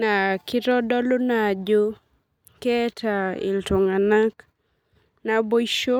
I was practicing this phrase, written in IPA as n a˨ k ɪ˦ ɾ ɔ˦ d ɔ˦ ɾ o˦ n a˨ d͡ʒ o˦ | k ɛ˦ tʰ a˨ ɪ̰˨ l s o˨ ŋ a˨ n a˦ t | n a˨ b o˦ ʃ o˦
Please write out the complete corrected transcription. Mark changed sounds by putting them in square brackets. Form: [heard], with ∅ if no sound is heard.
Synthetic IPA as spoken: n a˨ k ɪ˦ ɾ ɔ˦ d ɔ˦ [l] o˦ n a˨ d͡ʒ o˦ | k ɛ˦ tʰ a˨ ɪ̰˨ l [t] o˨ ŋ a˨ n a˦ [k] | n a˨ b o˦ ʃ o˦